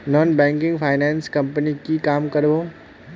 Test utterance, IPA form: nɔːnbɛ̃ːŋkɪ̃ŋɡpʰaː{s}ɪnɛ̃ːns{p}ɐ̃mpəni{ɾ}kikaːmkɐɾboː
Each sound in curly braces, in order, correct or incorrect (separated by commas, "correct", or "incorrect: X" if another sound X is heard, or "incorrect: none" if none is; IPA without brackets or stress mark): incorrect: none, incorrect: k, incorrect: none